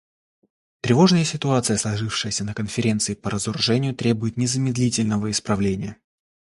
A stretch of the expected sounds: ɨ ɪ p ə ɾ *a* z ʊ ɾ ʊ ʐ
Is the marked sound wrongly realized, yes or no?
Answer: yes